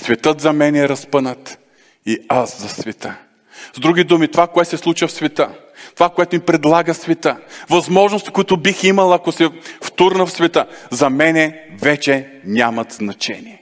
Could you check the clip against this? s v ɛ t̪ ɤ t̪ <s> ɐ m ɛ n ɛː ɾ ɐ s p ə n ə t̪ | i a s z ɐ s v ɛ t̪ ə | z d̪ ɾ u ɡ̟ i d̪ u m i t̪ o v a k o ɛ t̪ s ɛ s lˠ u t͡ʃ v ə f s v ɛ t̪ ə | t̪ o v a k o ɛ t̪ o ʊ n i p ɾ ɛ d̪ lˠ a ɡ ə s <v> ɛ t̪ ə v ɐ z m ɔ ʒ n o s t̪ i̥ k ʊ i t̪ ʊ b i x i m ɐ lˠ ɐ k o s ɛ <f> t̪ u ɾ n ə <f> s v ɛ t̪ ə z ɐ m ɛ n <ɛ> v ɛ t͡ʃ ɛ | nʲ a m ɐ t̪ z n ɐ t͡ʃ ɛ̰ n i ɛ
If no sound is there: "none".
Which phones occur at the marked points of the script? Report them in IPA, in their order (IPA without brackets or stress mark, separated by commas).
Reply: z, v, f, f, ɛ